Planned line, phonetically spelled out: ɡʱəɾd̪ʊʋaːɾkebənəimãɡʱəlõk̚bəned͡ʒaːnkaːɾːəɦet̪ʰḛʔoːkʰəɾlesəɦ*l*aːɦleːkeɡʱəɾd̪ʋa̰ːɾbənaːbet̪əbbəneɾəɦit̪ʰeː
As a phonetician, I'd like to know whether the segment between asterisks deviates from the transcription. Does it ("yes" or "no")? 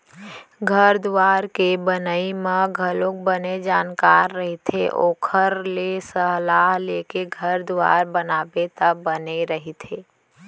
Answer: no